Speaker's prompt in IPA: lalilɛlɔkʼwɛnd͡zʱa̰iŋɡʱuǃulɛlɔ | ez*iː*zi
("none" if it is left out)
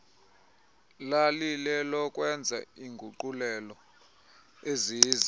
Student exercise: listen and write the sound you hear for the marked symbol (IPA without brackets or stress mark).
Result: iː